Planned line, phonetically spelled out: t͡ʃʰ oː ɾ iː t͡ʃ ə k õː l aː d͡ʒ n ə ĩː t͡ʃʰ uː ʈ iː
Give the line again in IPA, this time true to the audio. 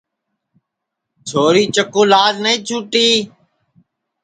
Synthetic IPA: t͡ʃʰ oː ɾ iː t͡ʃ ə k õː l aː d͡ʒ n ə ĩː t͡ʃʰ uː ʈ iː